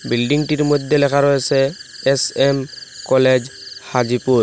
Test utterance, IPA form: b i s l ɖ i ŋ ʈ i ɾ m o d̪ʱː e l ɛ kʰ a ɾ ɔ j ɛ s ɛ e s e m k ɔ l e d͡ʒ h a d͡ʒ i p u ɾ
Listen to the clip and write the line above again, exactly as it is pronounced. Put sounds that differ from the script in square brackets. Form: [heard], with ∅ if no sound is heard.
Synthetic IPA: b i [∅] l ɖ i ŋ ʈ i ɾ m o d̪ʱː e l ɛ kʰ a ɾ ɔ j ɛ s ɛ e s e m k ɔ l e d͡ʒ h a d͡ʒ i p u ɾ

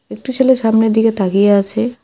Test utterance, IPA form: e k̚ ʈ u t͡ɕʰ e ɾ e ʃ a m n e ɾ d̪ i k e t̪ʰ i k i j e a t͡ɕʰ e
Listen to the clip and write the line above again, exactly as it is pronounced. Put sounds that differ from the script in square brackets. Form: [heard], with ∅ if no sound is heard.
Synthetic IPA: e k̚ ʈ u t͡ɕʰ e [l] e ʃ a m n e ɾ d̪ i k e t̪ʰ [a] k i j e a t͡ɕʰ e

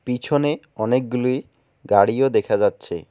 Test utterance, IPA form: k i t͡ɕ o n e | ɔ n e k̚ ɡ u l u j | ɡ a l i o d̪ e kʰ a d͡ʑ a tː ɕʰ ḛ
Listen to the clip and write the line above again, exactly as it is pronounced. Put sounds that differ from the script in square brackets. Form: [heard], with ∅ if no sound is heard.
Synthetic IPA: [p] i [t͡ɕʰ] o n e | ɔ n e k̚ ɡ u l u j | ɡ a [ɽ] i o d̪ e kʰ a d͡ʑ a tː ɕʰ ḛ

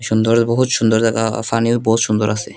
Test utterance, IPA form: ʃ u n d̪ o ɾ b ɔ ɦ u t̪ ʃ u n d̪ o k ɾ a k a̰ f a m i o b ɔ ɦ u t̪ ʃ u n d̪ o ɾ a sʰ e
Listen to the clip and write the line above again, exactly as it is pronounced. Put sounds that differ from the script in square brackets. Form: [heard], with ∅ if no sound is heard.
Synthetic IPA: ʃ u n d̪ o ɾ b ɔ ɦ u t̪ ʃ u n d̪ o [∅] ɾ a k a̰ f a [n] i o b ɔ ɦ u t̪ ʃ u n d̪ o ɾ a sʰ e

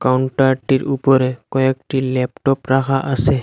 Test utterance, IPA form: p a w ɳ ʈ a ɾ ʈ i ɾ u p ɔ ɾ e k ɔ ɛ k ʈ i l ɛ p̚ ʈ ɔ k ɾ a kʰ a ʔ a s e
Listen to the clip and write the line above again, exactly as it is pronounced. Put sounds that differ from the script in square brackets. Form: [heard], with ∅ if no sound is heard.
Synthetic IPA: [k] a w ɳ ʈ a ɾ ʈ i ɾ u p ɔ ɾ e k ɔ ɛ k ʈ i l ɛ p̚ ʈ ɔ [p] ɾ a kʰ a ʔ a s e

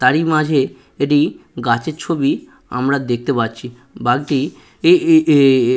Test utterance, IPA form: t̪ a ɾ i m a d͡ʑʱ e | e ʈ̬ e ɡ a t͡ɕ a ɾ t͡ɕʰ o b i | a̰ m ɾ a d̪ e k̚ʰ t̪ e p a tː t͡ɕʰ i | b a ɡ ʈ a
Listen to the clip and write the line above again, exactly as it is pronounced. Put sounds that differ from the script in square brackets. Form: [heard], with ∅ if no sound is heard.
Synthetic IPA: t̪ a ɾ i m a d͡ʑʱ e | e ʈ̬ [i] ɡ a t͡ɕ [e] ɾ t͡ɕʰ o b i | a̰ m ɾ a d̪ e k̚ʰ t̪ e p a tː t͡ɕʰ i | b a ɡ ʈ [i]

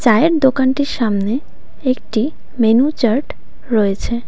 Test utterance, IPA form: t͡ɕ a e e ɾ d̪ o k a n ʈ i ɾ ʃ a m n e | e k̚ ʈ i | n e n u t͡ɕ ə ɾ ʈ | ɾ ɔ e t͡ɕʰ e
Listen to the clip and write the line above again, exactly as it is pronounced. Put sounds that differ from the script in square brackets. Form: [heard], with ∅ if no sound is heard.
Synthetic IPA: t͡ɕ a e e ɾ d̪ o k a n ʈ i ɾ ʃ a m n e | e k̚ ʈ i | [m] e n u t͡ɕ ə ɾ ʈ | ɾ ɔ e t͡ɕʰ e

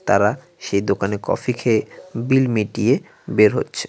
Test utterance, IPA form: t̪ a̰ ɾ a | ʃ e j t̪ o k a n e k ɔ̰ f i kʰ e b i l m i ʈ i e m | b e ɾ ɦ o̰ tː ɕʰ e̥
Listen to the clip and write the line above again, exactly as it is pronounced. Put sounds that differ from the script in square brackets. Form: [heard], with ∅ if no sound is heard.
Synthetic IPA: t̪ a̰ ɾ a | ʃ e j [d̪] o k a n e k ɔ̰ f i kʰ e b i l m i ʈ i e [∅] | b e ɾ ɦ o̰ tː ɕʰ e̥

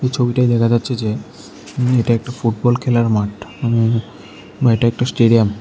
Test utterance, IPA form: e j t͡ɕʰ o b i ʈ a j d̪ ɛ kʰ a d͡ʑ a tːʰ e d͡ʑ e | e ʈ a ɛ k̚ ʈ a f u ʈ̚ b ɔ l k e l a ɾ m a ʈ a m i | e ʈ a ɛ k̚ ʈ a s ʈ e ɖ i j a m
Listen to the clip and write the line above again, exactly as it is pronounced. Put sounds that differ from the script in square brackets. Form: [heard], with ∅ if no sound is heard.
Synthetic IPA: e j t͡ɕʰ o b i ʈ a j d̪ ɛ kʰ a d͡ʑ a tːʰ e d͡ʑ e | e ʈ a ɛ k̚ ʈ a f u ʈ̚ b ɔ l [kʰ] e l a ɾ m a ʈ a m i | e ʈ a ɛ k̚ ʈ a s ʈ e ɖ i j a m

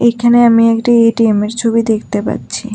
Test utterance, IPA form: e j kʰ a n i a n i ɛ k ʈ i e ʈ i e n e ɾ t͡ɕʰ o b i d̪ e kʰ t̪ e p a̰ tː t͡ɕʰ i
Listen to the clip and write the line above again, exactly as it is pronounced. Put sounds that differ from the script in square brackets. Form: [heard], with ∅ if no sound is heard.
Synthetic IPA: e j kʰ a n [e] a [m] i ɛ k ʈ i e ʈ i e [m] e ɾ t͡ɕʰ o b i d̪ e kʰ t̪ e p a̰ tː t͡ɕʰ i

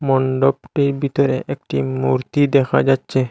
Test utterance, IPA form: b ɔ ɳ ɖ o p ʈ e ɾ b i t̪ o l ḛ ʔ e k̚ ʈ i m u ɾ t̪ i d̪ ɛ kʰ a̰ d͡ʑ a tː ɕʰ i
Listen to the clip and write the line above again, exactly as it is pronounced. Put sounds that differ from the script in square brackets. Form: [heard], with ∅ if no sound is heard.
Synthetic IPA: [m] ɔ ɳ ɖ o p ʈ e ɾ b i t̪ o [ɾ] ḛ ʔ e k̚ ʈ i m u ɾ t̪ i d̪ ɛ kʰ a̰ d͡ʑ a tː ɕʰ [e]

